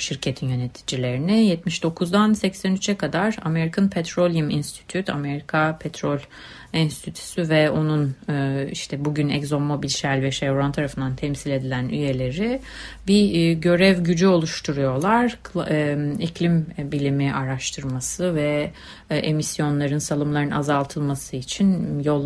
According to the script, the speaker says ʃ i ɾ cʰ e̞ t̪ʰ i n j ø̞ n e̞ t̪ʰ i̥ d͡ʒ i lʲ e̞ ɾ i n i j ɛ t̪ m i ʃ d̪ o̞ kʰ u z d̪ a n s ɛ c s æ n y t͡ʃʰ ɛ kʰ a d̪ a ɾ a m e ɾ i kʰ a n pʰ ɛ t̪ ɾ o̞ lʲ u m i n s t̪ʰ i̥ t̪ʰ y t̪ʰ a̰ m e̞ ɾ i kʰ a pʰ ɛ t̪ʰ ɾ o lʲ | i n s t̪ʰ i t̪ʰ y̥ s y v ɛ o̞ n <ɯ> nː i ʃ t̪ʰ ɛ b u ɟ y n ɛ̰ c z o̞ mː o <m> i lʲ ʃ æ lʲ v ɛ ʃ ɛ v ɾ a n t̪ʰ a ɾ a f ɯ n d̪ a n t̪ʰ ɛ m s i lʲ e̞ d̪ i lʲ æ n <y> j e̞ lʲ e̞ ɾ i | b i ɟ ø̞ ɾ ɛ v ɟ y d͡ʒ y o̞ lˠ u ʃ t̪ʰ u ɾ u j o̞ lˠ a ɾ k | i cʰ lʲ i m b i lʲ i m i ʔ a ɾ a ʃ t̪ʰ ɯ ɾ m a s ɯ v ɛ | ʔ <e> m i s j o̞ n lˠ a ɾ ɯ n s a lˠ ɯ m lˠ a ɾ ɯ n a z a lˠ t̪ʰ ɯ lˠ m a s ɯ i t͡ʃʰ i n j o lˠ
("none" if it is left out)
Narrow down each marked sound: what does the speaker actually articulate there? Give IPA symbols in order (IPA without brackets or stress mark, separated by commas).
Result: u, b, y, e